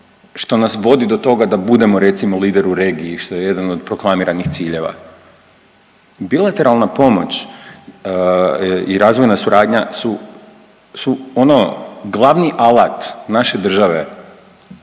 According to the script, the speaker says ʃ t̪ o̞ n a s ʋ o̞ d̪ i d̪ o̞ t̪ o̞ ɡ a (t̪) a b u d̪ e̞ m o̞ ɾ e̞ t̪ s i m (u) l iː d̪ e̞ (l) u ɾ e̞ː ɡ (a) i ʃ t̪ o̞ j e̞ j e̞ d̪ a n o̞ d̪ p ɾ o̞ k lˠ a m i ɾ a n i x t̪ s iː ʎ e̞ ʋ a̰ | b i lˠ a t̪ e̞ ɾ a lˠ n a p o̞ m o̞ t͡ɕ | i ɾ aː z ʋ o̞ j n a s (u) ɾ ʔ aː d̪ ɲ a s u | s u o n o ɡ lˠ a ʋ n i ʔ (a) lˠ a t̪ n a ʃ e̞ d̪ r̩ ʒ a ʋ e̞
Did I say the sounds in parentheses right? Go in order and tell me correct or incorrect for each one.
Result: incorrect: d̪, incorrect: o, incorrect: ɾ, incorrect: i, correct, correct

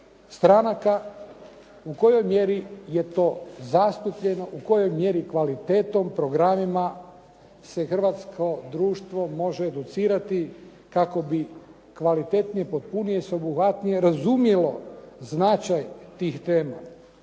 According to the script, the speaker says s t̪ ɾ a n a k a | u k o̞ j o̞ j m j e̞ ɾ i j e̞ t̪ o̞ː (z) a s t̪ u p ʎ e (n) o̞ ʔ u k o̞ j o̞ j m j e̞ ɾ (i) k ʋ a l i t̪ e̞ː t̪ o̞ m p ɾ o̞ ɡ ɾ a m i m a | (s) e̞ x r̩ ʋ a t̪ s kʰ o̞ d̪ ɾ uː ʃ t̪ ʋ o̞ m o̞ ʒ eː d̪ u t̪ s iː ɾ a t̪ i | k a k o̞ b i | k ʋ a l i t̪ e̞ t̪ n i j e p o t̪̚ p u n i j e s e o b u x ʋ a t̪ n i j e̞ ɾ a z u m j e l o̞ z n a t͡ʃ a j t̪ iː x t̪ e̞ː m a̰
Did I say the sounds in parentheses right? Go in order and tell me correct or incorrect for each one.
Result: correct, correct, correct, correct

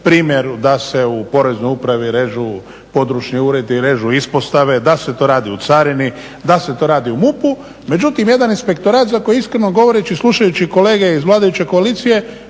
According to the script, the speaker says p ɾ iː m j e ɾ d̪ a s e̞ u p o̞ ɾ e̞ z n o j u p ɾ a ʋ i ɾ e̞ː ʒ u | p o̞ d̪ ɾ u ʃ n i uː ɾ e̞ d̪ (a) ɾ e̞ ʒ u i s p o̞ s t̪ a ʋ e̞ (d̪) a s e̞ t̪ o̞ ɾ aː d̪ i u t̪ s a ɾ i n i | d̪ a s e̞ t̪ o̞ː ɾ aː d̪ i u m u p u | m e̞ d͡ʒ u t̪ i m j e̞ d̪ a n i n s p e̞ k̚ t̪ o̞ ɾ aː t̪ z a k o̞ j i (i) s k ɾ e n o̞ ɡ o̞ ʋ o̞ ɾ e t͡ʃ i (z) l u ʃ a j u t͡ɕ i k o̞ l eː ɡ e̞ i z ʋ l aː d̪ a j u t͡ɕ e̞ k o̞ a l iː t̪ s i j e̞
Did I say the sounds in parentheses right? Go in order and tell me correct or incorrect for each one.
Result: incorrect: i, correct, correct, incorrect: s

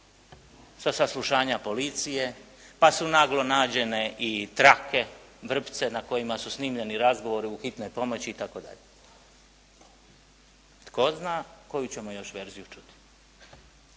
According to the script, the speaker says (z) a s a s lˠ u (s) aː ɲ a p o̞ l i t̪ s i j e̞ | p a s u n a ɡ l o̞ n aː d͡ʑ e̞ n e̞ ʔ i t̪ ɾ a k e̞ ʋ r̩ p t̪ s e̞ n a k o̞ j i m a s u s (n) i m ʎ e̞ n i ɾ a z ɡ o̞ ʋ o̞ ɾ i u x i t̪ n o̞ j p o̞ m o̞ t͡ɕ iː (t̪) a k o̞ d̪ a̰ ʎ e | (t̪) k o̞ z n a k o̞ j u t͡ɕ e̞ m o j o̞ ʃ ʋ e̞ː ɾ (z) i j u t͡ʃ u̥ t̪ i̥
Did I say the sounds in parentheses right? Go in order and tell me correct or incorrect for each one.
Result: incorrect: s, incorrect: ʃ, correct, correct, correct, correct

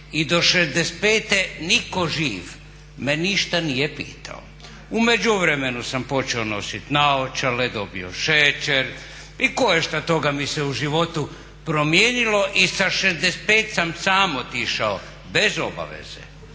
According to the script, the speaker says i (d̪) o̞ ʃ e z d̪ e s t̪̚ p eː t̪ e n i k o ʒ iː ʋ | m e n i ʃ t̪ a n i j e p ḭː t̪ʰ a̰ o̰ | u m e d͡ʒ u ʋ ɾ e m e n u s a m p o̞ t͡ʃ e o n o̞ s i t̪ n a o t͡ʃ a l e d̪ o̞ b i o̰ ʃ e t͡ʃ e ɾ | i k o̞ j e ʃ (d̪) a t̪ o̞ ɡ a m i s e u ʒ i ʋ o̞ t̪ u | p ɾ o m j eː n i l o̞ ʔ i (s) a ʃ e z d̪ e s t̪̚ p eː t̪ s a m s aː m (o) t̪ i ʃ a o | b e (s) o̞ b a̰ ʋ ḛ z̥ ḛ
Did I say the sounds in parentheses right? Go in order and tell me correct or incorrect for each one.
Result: correct, incorrect: t̪, correct, correct, incorrect: z

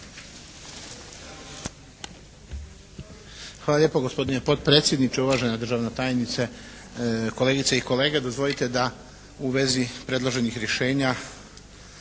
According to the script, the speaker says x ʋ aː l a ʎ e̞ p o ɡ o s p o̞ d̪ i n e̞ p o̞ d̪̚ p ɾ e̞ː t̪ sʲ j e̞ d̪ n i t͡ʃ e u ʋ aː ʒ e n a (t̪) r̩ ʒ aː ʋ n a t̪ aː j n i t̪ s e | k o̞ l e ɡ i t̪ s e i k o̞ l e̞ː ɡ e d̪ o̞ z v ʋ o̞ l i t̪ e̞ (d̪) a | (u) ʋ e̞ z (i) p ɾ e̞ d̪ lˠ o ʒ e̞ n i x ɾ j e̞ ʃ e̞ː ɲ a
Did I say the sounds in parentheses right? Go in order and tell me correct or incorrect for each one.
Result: incorrect: d̪, correct, correct, correct

